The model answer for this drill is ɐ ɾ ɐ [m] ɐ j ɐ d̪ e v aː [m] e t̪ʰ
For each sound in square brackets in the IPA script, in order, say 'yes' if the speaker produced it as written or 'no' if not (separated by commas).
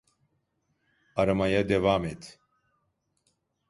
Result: yes, yes